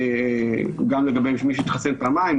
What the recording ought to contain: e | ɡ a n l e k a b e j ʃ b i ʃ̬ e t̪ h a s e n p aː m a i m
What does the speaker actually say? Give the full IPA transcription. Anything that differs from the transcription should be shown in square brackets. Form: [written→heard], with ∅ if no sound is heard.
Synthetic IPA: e | ɡ a [n→m] l e [k→ɡ] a b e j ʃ [b→m] i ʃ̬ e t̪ [h→χ] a s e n p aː m a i m